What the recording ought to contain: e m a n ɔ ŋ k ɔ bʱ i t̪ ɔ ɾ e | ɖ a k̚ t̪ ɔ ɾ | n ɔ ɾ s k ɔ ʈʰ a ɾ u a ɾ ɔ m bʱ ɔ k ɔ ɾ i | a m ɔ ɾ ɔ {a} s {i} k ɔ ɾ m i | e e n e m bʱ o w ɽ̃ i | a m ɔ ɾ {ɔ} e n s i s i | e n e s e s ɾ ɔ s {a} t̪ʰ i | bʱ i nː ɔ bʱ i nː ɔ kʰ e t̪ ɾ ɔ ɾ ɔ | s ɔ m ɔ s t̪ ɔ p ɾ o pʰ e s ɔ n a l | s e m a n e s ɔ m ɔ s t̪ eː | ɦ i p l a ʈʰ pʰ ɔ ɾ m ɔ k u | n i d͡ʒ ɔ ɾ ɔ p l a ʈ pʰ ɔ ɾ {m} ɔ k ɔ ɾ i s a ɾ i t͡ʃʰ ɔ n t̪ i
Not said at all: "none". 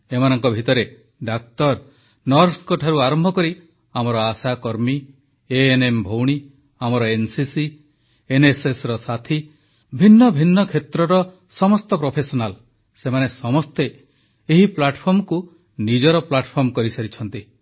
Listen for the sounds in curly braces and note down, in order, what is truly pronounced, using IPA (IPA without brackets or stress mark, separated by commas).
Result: a, a, ɔ, a, m